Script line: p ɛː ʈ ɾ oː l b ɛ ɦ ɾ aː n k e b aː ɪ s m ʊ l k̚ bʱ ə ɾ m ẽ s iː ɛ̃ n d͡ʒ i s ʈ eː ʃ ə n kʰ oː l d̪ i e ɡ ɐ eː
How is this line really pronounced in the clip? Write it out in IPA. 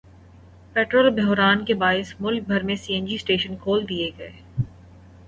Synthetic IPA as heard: p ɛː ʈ ɾ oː l b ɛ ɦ ɾ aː n k e b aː ɪ s m ʊ l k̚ bʱ ɐ ɾ m ẽ s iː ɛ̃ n d͡ʒ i s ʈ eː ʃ ə n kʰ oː l d̪ i e ɡ ɐ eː